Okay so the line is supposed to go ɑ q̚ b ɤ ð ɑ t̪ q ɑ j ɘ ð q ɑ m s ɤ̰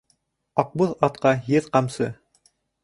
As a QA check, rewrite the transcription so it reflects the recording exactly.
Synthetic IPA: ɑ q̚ b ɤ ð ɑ t̪ q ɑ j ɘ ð q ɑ m s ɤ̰